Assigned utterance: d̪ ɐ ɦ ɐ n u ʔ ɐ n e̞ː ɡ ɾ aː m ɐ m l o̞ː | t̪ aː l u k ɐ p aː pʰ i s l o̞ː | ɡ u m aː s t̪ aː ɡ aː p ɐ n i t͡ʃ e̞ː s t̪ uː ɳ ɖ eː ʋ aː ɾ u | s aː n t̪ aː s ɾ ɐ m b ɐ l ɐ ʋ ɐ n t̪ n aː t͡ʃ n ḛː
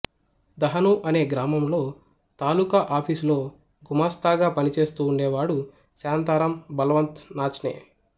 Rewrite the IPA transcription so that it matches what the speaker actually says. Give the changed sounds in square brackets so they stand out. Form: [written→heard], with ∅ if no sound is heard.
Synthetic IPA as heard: d̪ ɐ ɦ ɐ n u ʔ ɐ n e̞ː ɡ ɾ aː m ɐ m l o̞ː | t̪ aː l u k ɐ [p→ʔ] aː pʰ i s l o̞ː | ɡ u m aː s t̪ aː ɡ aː p ɐ n i t͡ʃ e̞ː s t̪ uː ɳ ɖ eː ʋ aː [ɾ→ɽ] u | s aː n t̪ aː [s→∅] ɾ ɐ m b ɐ l ɐ ʋ ɐ n t̪ n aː t͡ʃ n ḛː